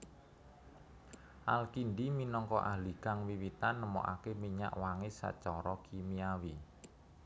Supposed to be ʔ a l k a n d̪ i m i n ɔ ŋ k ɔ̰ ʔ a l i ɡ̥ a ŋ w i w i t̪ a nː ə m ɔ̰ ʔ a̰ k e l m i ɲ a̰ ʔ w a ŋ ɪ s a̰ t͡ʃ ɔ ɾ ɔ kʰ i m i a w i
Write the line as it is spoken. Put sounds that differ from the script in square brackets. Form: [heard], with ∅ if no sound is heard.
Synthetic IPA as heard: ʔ a l k [i] n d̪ i m i n ɔ ŋ k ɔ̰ ʔ a l i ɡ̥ a ŋ w i w i t̪ a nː ə m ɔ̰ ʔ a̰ k e [∅] m i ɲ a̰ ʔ w a ŋ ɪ s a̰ t͡ʃ ɔ ɾ ɔ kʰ i m i a w i